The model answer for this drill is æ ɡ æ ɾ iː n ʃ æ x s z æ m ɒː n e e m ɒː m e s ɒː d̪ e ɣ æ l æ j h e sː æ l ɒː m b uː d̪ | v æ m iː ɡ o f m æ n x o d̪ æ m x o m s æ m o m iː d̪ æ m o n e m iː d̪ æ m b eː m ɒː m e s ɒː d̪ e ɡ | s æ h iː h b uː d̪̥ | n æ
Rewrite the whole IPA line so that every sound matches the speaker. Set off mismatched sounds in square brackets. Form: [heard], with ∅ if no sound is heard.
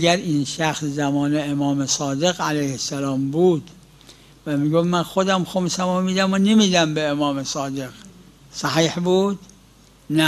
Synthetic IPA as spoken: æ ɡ æ ɾ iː n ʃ æ x s z æ m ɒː n e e m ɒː m e s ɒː d̪ e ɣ æ l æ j h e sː æ l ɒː m b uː d̪ | v æ m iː ɡ o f m æ n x o d̪ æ m x o m s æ m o m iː d̪ æ m o n e m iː d̪ æ m b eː m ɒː m e s ɒː d̪ e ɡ | s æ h iː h b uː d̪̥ | n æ